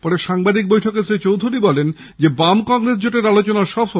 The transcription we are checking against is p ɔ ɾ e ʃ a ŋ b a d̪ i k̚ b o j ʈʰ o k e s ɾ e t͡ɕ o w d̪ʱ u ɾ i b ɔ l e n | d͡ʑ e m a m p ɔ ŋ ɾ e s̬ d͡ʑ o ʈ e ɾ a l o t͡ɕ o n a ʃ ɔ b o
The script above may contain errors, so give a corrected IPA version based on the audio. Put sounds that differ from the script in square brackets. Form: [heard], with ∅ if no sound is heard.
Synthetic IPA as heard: p ɔ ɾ e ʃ a ŋ b a d̪ i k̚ b o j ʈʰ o k e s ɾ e t͡ɕ o w d̪ʱ u ɾ i b ɔ l e n | d͡ʑ e [b] a m [k] ɔ ŋ ɾ e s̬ d͡ʑ o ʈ e ɾ a l o t͡ɕ o n a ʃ ɔ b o